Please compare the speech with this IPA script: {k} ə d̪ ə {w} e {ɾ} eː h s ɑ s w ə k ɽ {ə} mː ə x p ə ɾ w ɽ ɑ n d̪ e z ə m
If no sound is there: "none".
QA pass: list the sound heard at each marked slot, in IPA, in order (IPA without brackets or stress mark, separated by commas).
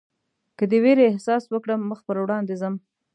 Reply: k, w, ɾ, ə